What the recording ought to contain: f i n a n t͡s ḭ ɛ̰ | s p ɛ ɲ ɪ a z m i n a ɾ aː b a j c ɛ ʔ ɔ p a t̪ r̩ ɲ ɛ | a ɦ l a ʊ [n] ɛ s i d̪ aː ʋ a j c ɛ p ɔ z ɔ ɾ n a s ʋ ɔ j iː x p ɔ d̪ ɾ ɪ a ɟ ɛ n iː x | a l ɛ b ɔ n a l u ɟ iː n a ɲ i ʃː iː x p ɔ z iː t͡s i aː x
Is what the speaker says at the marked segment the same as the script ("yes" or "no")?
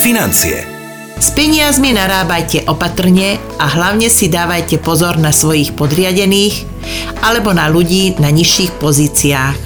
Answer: no